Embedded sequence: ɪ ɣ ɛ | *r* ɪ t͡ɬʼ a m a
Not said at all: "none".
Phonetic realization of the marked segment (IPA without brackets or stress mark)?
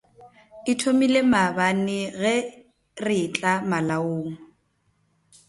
r